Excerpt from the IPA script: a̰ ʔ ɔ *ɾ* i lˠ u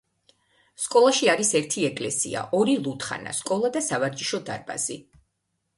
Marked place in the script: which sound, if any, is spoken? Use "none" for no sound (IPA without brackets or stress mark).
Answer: ɾ